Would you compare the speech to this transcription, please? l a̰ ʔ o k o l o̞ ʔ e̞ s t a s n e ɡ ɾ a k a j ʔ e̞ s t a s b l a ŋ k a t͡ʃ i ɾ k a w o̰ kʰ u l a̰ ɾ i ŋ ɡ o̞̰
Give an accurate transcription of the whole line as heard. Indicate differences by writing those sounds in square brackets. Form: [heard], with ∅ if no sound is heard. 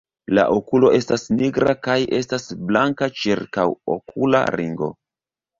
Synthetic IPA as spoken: l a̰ ʔ o k [u] l o̞ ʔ e̞ s t a s n [i] ɡ ɾ a k a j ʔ e̞ s t a s b l a ŋ k a t͡ʃ i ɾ k a w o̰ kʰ u l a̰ ɾ i ŋ ɡ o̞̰